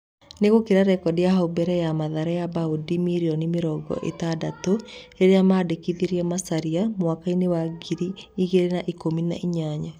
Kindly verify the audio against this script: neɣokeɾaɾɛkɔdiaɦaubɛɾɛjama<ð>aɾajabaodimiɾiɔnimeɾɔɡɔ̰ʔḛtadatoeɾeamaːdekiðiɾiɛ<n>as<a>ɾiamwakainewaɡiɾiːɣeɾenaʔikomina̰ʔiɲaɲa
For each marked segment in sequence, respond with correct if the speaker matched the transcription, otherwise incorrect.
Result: correct, incorrect, correct

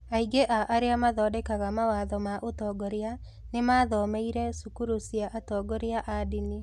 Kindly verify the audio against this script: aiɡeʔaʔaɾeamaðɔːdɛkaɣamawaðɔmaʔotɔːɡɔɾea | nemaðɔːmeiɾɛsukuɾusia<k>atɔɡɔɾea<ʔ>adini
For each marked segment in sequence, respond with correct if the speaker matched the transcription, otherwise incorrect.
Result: incorrect, correct

